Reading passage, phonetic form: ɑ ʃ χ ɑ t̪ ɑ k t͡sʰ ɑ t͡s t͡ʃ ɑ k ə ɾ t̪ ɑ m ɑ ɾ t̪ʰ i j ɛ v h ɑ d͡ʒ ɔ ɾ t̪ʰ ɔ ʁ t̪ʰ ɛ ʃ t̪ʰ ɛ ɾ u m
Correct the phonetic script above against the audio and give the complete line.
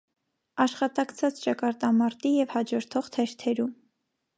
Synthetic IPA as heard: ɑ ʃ χ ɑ t̪ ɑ k t͡sʰ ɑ t͡s t͡ʃ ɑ k ɑ ɾ t̪ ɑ m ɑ ɾ t̪ i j ɛ v h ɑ d͡ʒ ɔ ɾ t̪ʰ ɔ ʁ t̪ʰ ɛ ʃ t̪ʰ ɛ ɾ u m